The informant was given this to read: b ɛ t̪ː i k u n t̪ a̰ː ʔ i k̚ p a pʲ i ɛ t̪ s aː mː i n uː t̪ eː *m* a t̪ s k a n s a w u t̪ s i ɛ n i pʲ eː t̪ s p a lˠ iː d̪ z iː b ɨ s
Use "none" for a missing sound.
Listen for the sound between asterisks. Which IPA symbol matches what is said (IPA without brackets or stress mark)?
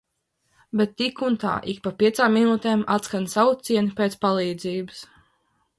m